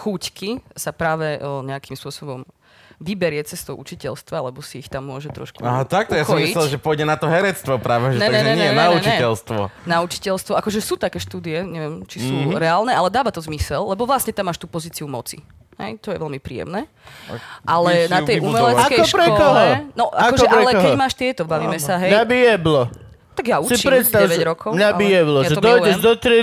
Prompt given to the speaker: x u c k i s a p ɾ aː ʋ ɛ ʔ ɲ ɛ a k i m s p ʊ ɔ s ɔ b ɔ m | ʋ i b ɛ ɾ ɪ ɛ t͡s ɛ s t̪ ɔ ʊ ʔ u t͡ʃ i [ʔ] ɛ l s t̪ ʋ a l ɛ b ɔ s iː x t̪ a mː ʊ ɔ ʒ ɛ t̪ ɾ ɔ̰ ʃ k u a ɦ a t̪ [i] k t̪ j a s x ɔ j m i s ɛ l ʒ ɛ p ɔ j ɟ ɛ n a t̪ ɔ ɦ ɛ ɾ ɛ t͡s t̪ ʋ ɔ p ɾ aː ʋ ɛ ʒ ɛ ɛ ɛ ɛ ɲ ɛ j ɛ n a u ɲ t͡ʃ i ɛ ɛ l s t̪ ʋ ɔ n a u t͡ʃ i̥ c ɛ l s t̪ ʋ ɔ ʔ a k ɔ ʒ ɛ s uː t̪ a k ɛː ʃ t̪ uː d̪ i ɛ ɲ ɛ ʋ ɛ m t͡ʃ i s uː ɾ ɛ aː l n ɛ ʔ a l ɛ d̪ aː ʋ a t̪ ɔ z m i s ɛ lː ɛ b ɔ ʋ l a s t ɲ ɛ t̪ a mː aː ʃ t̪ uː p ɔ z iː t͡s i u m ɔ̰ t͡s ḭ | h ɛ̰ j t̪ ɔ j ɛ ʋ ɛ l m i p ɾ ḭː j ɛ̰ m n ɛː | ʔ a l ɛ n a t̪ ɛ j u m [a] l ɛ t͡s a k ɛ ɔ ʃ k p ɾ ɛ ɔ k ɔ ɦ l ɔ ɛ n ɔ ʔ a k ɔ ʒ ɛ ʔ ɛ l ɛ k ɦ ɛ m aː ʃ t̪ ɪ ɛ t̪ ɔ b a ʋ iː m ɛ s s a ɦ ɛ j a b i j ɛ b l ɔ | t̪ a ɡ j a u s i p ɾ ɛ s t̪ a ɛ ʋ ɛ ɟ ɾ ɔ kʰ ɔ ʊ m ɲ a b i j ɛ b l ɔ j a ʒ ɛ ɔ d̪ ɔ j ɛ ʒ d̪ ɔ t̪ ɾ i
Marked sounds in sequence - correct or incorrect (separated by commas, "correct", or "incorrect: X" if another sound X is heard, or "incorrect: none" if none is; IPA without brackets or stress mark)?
incorrect: c, incorrect: a, incorrect: ɛ